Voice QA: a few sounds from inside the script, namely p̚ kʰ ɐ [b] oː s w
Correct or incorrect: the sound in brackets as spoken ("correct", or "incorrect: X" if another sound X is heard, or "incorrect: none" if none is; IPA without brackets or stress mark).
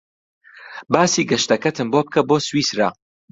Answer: correct